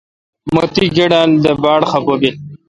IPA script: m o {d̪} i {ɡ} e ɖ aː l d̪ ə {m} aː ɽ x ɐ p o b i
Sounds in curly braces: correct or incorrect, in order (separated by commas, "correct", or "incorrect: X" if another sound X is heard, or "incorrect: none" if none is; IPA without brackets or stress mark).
incorrect: t̪, correct, incorrect: b